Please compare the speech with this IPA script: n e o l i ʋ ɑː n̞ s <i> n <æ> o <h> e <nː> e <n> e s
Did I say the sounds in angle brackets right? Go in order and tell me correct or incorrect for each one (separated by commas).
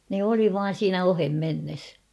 incorrect, correct, correct, incorrect, incorrect